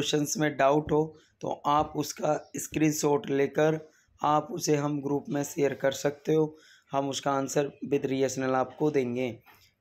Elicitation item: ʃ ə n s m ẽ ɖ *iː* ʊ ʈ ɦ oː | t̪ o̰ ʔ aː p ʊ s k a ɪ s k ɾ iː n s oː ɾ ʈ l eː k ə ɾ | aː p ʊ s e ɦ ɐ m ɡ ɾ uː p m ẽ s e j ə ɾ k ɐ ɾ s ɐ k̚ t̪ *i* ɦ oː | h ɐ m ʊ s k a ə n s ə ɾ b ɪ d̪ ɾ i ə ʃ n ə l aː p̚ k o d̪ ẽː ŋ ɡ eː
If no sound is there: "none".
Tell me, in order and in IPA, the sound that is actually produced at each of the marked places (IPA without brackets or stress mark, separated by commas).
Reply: aː, e